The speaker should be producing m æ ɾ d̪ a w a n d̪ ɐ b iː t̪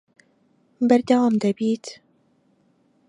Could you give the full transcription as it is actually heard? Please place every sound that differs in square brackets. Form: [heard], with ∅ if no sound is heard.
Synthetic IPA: [b] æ ɾ d̪ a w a [m] d̪ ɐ b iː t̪